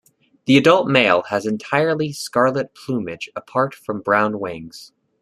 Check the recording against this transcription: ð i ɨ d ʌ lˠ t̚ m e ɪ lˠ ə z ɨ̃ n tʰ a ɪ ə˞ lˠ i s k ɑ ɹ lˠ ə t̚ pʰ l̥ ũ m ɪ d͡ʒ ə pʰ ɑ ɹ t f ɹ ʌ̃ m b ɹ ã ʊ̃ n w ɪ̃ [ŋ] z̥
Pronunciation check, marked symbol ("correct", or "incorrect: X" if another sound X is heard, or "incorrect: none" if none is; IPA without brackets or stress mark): correct